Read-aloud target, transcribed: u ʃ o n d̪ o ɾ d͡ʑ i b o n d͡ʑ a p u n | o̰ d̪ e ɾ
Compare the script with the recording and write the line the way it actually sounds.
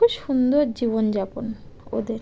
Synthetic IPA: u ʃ u n d̪ o ɾ d͡ʑ i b o n d͡ʑ a p o n | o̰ d̪ e ɾ